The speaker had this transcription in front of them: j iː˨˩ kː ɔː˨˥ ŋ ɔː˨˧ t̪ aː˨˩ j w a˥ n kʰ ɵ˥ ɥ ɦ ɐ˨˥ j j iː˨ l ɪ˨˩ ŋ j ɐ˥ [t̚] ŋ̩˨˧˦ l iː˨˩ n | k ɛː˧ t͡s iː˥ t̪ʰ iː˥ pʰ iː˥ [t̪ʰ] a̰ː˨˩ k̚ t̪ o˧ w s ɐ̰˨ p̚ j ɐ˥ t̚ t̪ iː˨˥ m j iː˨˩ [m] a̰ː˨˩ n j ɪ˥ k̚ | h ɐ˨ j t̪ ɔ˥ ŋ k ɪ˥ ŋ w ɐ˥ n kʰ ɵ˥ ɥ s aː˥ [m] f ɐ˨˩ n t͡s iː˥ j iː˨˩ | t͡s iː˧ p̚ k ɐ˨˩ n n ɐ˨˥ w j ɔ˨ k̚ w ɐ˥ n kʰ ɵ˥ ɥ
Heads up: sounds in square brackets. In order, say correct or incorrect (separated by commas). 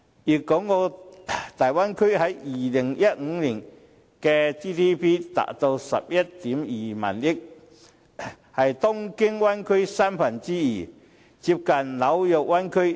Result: correct, incorrect, correct, correct